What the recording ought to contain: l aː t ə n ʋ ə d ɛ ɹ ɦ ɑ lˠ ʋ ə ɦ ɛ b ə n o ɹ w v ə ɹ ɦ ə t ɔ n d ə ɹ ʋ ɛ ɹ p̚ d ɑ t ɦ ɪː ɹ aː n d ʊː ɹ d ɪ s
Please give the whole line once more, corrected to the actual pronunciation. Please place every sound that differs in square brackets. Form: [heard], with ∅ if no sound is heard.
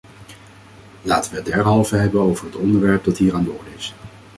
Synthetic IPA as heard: l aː t ə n ʋ ə d ɛ ɹ ɦ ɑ lˠ [v] ə ɦ ɛ b ə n o [∅] w v ə ɹ ɦ ə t ɔ n d ə ɹ ʋ ɛ ɹ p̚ d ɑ t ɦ [iː] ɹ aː n d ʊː ɹ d ɪ s